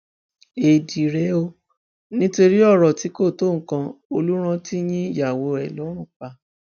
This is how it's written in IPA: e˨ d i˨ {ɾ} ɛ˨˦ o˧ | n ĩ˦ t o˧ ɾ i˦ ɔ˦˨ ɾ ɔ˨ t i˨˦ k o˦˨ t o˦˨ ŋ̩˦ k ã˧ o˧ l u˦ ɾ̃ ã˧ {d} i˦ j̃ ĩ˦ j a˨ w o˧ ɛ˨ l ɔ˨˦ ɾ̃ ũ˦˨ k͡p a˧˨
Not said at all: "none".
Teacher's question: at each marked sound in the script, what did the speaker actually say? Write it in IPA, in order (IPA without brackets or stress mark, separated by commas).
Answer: ɾ, t